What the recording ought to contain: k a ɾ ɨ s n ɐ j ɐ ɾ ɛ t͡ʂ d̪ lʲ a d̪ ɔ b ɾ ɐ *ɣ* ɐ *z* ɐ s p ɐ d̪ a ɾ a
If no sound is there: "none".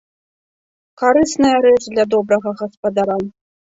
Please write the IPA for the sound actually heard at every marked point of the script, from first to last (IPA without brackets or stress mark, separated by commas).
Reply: ɣ, ɣ